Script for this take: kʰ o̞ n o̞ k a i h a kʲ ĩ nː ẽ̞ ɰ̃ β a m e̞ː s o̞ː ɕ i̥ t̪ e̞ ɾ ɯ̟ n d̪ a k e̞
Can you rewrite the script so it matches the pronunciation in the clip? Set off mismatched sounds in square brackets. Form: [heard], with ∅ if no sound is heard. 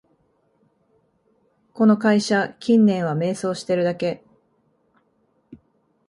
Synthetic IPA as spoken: [k] o̞ n o̞ k a i [ɕ] a kʲ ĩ nː ẽ̞ ɰ̃ β a m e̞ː s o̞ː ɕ i̥ t̪ e̞ ɾ ɯ̟ [∅] d̪ a k e̞